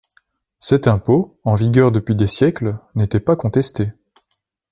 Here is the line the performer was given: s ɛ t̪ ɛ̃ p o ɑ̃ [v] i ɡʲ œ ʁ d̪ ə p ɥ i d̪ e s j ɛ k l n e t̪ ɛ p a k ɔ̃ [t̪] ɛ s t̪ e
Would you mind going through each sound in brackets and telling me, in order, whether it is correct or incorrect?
correct, correct

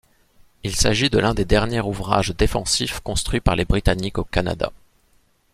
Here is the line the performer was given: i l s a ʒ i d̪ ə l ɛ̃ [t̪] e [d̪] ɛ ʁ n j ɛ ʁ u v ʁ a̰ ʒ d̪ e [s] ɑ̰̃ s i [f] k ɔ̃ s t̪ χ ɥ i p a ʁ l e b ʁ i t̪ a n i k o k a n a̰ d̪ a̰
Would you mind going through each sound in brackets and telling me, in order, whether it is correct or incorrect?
incorrect: d̪, correct, incorrect: f, correct

